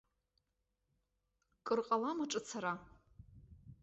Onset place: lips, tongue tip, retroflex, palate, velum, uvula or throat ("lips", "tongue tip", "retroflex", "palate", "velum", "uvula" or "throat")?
velum